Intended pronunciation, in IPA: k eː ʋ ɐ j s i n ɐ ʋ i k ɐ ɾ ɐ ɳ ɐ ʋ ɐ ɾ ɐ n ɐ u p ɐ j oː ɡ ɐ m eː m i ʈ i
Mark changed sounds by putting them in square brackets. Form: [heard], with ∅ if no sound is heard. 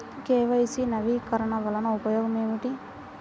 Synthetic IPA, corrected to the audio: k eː ʋ ɐ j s i n ɐ ʋ i k ɐ ɾ ɐ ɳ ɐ ʋ ɐ [l] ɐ n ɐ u p ɐ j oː ɡ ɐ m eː m i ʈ i